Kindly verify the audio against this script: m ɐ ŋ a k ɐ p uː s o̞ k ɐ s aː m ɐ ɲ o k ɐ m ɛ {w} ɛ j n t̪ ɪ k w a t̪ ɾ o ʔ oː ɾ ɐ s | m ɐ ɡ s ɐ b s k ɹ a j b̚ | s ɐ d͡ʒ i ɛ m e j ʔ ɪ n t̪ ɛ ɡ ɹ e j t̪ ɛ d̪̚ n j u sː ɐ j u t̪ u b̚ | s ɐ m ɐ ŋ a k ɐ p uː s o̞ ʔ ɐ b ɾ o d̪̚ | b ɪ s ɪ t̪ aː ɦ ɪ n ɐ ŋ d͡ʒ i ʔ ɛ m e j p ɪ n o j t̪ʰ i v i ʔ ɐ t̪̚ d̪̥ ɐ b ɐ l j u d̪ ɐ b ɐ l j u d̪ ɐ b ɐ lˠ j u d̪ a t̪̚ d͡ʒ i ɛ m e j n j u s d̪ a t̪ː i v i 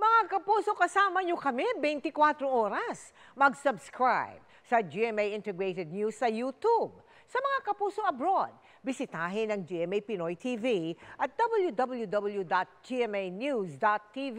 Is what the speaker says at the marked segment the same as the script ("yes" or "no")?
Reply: no